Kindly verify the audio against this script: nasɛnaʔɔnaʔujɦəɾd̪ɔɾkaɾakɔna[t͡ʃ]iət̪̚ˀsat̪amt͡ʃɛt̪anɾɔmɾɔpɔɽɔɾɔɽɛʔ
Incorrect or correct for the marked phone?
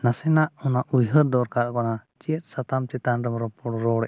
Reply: correct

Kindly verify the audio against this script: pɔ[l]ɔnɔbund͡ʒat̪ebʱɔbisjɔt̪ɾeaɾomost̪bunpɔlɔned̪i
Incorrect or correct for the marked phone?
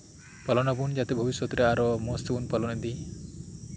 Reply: correct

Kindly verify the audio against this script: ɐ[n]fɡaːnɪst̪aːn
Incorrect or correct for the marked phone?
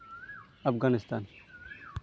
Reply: incorrect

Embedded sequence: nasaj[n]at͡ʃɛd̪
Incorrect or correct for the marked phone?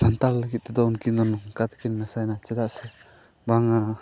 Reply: correct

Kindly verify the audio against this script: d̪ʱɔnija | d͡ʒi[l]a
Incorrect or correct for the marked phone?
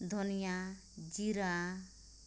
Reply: incorrect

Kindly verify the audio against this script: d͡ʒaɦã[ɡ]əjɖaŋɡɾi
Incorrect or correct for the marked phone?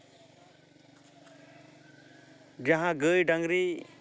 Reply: correct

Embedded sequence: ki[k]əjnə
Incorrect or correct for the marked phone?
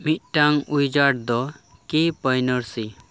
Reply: incorrect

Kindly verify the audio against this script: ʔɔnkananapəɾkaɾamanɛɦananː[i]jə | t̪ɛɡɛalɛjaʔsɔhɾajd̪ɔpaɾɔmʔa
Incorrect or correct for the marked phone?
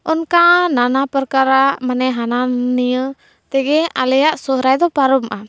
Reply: correct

